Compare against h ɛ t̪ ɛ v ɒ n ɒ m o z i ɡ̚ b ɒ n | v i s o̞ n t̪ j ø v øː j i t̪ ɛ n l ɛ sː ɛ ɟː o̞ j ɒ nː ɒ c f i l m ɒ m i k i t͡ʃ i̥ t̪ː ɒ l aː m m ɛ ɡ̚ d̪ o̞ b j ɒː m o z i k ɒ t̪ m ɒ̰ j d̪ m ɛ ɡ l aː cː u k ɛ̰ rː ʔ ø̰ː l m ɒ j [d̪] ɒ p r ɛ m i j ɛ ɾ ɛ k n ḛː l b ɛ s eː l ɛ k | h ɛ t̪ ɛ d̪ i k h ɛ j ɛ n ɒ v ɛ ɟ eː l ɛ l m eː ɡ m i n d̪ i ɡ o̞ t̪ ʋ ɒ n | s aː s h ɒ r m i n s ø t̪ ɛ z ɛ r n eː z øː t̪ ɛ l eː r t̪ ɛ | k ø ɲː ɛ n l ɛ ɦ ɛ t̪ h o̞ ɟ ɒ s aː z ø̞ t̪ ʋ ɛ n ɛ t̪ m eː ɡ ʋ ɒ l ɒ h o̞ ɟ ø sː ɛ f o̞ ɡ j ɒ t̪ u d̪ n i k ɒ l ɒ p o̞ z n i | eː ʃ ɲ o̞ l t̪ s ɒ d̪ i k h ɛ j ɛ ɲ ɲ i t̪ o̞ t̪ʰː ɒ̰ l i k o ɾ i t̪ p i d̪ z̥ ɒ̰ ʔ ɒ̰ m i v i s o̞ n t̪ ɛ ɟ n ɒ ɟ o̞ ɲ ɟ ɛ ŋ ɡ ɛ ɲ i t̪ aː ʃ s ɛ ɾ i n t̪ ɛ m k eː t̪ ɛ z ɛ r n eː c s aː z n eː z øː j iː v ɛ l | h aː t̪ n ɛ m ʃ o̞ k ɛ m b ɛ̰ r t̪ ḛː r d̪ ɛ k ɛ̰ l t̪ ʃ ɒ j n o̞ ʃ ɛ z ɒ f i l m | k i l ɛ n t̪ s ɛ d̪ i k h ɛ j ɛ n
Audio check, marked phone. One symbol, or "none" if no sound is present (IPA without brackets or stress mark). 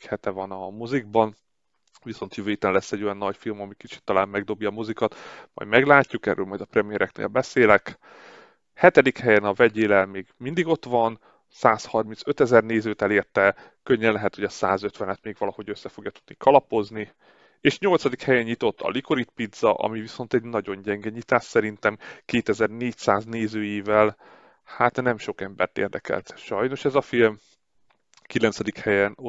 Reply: d̪